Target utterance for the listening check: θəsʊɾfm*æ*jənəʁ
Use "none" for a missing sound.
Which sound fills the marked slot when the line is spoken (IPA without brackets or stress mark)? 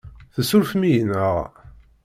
i